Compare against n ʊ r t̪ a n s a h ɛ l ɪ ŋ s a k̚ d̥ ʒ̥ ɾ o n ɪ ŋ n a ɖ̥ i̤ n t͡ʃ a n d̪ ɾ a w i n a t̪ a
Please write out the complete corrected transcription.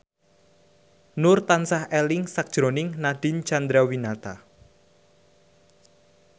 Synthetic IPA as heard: n ʊ r t̪ a n s a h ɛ l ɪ ŋ s a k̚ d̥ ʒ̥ ɾ o n ɪ ŋ n a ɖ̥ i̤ n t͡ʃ a n d̪ ɾ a w i n a t̪ a